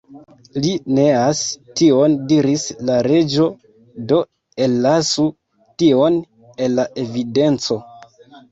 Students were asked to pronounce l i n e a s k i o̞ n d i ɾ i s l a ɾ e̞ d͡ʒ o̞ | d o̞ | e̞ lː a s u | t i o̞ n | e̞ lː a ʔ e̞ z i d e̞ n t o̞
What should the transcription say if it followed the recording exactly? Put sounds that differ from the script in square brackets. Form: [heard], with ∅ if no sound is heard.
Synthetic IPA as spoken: l i n e a s [t] i o̞ n d i ɾ i s l a ɾ e̞ d͡ʒ o̞ | d o̞ | e̞ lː a s u | t i o̞ n | e̞ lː a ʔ e̞ [v] i d e̞ n [t͡s] o̞